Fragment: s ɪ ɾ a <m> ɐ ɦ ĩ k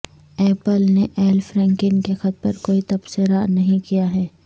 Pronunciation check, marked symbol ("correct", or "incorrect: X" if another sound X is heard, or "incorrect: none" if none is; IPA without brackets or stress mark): incorrect: n